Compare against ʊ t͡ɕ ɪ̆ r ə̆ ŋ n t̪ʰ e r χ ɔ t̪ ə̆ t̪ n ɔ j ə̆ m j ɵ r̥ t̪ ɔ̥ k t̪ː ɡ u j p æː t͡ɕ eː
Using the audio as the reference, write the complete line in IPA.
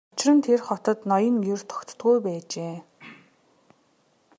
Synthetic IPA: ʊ t͡ɕ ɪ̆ r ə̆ n t̪ʰ e r χ ɔ t̪ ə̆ t̪ n ɔ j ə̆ ŋ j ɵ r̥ t̪ʰ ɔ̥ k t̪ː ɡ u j p æː t͡ɕ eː